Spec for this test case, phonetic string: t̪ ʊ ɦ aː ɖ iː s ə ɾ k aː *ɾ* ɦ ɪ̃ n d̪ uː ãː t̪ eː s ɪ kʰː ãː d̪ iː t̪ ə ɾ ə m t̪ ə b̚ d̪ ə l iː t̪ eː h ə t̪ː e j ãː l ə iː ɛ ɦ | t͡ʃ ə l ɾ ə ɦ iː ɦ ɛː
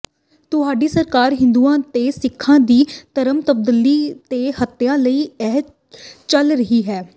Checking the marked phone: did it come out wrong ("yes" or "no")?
no